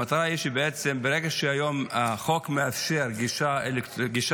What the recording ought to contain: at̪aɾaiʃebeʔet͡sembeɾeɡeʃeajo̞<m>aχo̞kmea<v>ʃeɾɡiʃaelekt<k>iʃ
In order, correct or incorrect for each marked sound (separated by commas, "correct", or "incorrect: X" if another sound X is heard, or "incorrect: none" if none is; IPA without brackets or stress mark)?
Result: correct, incorrect: f, incorrect: ɡ